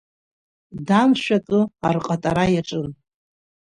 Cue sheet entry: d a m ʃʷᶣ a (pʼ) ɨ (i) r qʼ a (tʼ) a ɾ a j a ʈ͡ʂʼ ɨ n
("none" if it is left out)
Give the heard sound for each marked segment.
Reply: kʼ, a, tʼ

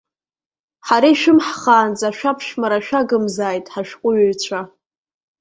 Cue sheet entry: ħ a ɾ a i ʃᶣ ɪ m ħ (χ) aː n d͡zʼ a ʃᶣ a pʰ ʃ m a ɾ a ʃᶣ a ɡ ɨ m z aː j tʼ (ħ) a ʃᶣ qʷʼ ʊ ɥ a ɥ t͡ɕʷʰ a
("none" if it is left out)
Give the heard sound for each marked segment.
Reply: χ, ħ

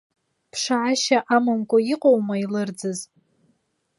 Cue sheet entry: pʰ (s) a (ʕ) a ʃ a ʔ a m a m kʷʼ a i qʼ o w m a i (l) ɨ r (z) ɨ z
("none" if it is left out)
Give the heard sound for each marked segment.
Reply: ʂ, ʕ, l, d͡z

